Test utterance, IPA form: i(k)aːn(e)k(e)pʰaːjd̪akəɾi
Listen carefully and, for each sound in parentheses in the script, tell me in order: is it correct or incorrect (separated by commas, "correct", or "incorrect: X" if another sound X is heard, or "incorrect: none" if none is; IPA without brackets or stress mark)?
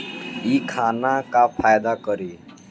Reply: incorrect: kʰ, incorrect: a, incorrect: a